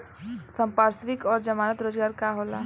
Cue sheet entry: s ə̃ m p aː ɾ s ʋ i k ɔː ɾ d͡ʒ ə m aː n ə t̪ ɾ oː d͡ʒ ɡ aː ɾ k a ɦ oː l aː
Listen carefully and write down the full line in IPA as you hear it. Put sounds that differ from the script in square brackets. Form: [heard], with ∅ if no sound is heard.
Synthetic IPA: s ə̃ m p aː ɾ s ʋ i k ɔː ɾ d͡ʒ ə m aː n ə t̪ ɾ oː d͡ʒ ɡ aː ɾ k a ɦ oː l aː